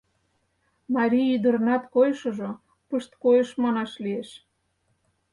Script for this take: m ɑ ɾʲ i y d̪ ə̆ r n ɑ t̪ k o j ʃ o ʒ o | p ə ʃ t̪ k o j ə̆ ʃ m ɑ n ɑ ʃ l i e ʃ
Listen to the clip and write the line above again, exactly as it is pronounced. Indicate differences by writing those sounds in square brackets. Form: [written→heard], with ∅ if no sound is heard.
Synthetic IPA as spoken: m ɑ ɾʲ i y d̪ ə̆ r n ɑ t̪ k o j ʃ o ʒ o | p ə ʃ t̪ k o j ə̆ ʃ m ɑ n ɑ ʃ l i e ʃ